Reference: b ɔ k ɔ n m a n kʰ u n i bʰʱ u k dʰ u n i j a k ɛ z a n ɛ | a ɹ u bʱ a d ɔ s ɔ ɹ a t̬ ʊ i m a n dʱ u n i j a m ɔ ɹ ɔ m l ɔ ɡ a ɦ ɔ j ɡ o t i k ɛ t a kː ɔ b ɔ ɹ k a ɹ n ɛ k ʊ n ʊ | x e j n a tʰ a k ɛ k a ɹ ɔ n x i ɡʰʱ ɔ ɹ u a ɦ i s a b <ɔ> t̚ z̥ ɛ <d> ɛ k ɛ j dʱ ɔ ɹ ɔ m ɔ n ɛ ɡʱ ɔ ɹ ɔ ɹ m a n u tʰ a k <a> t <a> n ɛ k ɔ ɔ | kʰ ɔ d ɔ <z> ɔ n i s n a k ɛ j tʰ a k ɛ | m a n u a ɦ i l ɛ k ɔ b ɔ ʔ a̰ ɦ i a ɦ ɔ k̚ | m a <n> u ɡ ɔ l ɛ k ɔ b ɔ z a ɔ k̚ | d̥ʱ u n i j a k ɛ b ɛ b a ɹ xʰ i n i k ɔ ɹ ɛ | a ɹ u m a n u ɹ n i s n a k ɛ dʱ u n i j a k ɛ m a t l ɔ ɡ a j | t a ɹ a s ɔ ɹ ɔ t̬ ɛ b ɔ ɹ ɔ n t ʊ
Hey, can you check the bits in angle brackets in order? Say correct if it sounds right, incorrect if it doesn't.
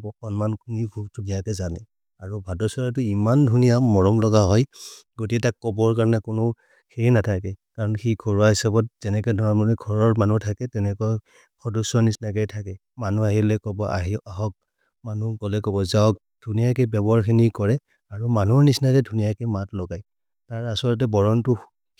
correct, incorrect: n, incorrect: ɛ, incorrect: ɛ, incorrect: s, correct

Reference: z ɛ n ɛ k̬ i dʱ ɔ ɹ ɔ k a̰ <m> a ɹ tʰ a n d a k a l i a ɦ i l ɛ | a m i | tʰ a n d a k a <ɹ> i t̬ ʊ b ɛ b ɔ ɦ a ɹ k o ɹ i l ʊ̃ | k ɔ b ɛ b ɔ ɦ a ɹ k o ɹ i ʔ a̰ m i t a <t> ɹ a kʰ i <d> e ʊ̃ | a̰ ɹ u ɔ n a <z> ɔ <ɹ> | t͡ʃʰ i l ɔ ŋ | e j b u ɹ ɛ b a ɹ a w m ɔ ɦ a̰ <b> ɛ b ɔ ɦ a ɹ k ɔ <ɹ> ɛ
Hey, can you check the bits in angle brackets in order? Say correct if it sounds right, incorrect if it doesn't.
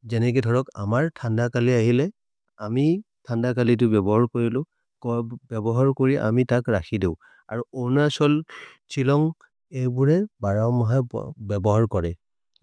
correct, incorrect: l, incorrect: k, correct, incorrect: s, incorrect: l, correct, correct

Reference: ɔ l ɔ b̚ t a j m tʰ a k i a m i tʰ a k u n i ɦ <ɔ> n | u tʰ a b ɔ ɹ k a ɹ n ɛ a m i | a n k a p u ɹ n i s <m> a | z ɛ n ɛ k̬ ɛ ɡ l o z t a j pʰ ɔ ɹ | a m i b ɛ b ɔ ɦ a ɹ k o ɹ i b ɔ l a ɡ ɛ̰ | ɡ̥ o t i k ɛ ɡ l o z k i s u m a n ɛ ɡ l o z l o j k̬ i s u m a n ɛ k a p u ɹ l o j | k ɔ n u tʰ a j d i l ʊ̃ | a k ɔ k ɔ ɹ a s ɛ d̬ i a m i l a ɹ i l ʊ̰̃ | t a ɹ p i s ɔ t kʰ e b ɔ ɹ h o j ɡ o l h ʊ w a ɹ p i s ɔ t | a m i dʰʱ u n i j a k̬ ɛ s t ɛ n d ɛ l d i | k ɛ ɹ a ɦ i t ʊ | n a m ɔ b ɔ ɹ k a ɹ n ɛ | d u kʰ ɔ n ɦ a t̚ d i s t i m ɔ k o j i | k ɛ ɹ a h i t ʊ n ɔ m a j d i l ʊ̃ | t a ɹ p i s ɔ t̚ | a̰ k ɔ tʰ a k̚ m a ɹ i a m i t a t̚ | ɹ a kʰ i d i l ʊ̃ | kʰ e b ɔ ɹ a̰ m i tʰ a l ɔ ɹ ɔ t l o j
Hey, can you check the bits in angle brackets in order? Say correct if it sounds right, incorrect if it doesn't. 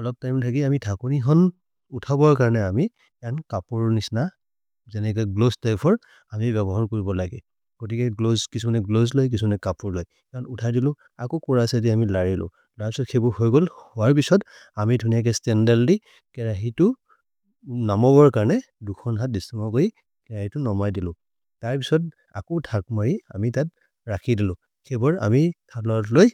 correct, incorrect: n

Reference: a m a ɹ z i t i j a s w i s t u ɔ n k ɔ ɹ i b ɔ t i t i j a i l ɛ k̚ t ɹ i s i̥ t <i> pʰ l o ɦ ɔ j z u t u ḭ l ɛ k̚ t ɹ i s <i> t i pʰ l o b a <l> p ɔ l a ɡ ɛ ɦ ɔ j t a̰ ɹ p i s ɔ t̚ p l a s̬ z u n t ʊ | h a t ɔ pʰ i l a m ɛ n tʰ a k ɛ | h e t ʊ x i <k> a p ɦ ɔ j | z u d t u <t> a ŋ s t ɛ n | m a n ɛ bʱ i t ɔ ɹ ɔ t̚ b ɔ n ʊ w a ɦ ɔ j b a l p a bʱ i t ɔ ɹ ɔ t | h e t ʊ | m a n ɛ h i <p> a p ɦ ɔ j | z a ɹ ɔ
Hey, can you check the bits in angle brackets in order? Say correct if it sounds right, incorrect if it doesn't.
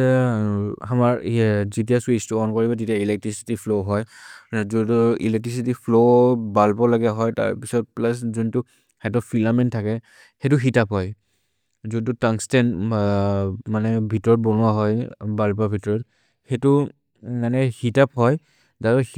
correct, correct, correct, incorrect: t, correct, incorrect: t

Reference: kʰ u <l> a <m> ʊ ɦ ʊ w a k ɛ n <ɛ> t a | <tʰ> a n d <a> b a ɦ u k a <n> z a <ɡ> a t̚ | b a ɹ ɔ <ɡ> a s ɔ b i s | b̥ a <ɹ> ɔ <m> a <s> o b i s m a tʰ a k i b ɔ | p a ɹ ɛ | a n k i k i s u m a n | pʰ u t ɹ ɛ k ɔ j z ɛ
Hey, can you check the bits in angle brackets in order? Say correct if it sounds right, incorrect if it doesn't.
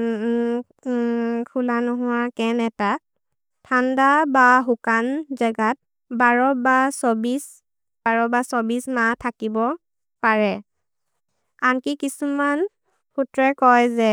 correct, incorrect: n, correct, correct, correct, correct, correct, incorrect: b, correct, incorrect: b, correct

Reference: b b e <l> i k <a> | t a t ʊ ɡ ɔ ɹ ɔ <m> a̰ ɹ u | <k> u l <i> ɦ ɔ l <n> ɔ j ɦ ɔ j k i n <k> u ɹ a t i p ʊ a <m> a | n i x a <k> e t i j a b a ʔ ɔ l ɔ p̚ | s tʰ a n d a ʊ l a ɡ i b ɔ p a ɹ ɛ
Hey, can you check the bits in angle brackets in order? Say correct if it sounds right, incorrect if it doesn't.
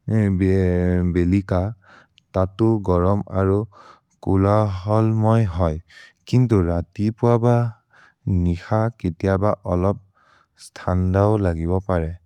correct, correct, correct, correct, incorrect: a, incorrect: m, incorrect: t, incorrect: b, correct

